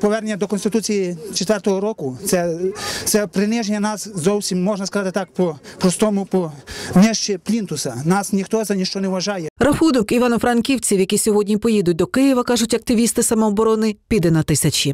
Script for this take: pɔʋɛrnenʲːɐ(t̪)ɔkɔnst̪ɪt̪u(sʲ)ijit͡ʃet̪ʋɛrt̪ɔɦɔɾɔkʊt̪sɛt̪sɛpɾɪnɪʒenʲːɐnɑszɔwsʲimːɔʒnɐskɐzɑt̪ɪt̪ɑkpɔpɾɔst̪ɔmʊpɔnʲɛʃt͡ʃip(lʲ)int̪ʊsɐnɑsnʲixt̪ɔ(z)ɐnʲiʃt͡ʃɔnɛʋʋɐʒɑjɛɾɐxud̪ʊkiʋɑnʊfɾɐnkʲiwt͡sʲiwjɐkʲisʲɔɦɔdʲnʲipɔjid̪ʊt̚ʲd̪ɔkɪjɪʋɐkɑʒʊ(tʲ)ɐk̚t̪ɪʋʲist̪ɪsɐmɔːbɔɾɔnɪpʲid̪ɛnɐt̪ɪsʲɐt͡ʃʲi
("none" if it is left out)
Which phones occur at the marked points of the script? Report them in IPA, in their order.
d̪, t͡sʲ, lʲ, z, tʲ

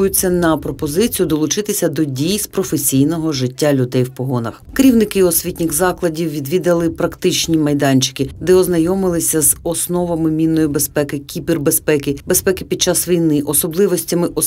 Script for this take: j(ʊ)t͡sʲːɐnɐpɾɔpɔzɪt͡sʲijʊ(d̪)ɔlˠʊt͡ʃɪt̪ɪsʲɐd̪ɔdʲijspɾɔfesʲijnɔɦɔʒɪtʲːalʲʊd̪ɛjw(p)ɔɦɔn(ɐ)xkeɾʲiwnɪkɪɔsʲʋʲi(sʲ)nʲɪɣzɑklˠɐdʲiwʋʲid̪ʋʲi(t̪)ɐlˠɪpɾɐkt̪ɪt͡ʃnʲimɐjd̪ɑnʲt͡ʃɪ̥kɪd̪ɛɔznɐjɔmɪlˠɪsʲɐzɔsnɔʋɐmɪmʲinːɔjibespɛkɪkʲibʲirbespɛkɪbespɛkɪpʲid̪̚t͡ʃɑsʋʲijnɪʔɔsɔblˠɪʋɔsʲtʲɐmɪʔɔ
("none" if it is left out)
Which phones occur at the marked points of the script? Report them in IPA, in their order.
ʊ, d̪, p, ɐ, tʲ, d̪

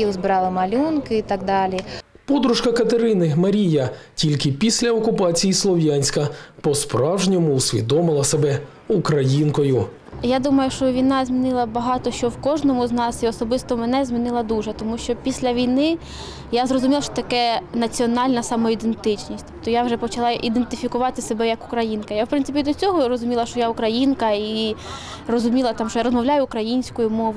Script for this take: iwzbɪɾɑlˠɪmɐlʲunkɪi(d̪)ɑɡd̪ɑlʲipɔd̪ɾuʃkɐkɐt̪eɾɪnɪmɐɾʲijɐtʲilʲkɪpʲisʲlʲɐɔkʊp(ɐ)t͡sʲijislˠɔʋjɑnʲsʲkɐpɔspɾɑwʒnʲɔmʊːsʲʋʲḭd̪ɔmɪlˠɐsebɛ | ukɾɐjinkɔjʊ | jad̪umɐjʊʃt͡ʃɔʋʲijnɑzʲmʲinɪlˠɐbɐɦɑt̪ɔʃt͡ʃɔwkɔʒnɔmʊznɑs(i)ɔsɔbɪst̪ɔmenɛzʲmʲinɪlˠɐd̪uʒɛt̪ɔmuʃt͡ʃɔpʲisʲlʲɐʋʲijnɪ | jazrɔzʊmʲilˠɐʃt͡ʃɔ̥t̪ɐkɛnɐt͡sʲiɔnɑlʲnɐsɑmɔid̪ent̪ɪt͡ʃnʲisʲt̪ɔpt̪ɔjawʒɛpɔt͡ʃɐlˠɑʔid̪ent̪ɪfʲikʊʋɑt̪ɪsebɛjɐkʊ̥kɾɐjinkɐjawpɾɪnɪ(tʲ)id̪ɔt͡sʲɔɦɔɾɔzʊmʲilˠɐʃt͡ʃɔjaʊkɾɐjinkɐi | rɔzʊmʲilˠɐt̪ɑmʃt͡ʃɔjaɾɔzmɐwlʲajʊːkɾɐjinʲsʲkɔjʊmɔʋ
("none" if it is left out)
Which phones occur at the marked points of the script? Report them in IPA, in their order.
t̪, ɑ, i, pʲ

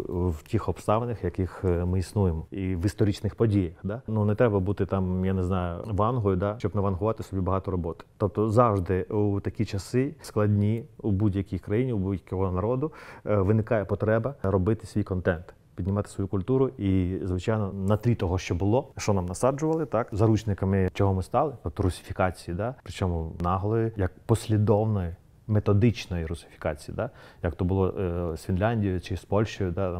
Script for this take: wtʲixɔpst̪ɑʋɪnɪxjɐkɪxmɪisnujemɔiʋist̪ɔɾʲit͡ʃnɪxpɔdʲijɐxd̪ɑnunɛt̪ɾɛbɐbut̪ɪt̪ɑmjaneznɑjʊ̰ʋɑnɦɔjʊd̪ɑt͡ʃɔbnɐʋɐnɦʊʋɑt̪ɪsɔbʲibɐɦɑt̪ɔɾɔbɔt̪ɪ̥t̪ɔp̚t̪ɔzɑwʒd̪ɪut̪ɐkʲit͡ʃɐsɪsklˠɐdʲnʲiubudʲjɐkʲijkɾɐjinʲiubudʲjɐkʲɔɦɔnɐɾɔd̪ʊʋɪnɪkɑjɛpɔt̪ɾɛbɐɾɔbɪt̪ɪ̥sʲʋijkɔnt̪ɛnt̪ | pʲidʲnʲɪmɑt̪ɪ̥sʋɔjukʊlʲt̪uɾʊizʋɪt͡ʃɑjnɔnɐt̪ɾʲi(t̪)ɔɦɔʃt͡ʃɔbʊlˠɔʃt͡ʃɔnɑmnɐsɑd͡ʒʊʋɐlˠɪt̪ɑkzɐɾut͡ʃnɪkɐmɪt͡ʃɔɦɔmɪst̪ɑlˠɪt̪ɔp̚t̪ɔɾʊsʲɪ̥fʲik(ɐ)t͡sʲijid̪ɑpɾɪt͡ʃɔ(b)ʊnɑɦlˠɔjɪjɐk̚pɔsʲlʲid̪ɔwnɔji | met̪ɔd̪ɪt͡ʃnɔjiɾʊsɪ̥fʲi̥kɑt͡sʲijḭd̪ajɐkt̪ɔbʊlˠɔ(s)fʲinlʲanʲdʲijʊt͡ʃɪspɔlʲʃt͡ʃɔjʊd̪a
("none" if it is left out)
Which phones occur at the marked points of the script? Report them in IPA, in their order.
t̪, ɑ, m, s

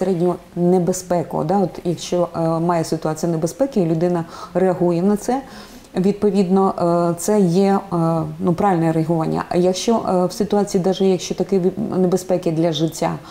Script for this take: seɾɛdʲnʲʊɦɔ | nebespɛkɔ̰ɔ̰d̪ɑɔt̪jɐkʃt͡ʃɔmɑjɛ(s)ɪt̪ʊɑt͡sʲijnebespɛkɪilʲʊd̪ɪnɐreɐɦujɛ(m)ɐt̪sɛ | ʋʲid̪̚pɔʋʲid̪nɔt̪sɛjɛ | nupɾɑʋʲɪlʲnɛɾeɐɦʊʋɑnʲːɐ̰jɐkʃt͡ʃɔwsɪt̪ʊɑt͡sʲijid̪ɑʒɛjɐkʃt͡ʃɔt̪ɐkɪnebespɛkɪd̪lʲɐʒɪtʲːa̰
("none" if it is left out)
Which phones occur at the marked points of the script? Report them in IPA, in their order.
s, n

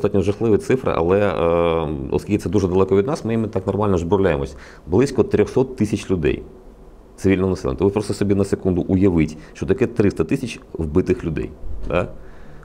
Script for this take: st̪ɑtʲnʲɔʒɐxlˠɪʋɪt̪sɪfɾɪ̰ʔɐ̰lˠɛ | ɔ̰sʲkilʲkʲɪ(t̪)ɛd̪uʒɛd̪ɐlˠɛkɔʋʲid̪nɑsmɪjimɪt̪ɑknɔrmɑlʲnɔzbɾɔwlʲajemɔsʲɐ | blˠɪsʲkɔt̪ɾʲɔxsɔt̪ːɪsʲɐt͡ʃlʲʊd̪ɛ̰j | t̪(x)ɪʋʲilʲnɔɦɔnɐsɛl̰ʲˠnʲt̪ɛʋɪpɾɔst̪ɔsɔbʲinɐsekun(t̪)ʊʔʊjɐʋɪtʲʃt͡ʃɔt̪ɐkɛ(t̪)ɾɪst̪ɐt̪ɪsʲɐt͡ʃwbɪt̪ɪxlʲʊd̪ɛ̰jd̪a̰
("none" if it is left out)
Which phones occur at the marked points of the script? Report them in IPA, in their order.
t̪, s, d̪, t̪

